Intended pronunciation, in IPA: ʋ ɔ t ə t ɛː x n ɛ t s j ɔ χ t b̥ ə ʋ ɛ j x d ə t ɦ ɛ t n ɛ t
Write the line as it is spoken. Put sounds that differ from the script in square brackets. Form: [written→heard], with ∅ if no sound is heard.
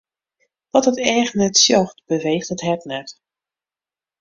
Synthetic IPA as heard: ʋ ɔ t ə t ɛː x n ɛ t s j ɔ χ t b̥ ə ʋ [ɛ→e] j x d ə t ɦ ɛ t n ɛ t